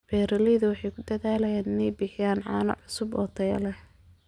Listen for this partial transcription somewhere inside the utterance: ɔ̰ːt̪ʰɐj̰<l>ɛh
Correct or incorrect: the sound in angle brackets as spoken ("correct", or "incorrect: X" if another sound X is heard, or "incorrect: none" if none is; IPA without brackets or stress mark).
correct